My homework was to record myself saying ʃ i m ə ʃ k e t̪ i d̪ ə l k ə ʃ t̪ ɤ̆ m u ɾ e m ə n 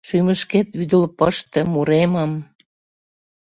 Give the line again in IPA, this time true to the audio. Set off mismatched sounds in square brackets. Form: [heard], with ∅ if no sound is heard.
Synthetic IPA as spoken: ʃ [y] m ə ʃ k e t̪ [y] d̪ ə l [p] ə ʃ t̪ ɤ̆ m u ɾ e m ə [m]